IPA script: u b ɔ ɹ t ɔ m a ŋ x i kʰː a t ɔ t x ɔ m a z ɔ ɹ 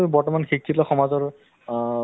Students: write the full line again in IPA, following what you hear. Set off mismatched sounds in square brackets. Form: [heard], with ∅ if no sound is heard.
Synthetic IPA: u b ɔ ɹ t ɔ m a [n] x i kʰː [i] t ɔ [∅] x ɔ m a z ɔ ɹ